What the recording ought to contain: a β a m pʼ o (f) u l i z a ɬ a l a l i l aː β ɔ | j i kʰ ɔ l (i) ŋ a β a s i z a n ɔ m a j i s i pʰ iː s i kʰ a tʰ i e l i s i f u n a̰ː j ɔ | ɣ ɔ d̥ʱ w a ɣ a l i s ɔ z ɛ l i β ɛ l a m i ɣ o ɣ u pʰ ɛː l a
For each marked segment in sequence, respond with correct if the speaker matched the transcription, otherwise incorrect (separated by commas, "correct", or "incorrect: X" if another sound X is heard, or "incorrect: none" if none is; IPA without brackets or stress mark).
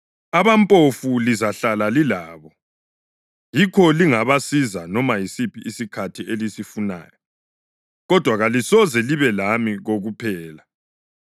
correct, correct